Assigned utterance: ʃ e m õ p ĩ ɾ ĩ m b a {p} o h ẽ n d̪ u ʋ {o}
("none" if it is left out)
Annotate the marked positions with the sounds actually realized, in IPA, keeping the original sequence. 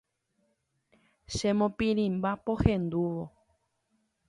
p, o

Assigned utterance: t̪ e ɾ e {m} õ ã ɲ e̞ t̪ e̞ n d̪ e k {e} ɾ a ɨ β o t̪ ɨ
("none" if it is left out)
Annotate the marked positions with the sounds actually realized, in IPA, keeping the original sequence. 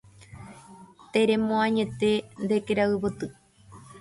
m, e

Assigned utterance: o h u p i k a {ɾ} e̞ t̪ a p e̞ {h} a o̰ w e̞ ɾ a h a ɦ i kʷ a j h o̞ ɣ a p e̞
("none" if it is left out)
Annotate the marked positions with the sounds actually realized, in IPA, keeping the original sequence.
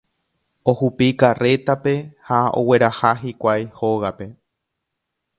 r, h

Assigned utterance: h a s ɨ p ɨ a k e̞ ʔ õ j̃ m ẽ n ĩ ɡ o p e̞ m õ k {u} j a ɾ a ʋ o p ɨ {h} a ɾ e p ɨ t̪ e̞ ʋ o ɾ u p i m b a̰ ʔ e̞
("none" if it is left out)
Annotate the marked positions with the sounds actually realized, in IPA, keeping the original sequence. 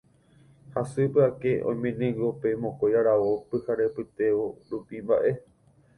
o, h

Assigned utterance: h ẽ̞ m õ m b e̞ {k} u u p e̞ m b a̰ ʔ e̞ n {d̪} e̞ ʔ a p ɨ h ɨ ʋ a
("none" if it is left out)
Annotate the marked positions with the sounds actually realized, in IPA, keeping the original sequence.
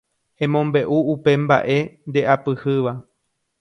ʔ, d̪

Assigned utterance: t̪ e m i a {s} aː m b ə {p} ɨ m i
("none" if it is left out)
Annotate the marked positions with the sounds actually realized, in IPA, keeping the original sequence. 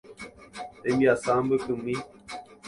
s, k

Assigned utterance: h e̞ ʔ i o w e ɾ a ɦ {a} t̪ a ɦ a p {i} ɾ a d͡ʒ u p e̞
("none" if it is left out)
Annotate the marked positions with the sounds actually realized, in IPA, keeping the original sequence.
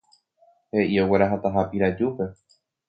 a, i

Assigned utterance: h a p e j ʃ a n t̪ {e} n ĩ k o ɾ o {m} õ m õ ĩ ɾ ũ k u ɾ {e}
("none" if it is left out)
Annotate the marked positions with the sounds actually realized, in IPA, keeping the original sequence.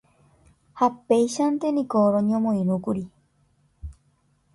e, ɲ, i

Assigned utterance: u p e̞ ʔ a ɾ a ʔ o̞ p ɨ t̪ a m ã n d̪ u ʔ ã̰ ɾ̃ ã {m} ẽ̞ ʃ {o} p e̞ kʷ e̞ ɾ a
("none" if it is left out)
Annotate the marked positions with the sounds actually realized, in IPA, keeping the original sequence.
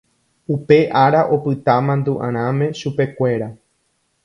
m, u

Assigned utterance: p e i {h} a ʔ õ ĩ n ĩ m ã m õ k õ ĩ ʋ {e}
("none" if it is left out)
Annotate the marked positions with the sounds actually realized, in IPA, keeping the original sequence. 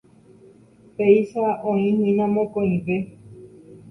ʃ, e

